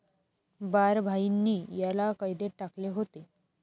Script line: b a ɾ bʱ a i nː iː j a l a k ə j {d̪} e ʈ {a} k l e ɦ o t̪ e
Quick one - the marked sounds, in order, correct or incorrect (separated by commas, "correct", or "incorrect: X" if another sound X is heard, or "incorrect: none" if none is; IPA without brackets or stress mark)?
correct, correct